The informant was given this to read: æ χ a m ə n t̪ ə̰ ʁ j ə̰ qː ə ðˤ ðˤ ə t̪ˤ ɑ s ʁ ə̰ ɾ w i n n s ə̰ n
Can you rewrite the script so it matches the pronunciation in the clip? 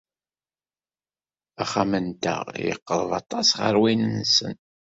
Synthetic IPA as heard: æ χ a m ə n t̪ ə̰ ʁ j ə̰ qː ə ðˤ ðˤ ɑ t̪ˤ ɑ s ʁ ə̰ ɾ w i n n s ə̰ n

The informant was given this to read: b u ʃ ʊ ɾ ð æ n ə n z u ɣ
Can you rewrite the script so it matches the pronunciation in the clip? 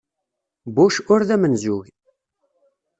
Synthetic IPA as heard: b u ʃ ʊ ɾ ð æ m ə n z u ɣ

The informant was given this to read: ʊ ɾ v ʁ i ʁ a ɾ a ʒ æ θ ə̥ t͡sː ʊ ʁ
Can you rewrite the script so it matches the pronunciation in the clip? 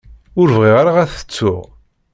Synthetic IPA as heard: ʊ ɾ v ʁ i ʁ a ɾ a ʁ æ θ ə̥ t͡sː ʊ ʁ

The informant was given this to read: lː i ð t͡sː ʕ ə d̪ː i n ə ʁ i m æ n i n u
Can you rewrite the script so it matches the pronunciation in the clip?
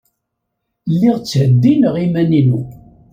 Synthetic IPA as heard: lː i ʁ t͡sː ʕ ə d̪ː i n ə ʁ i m æ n i n u

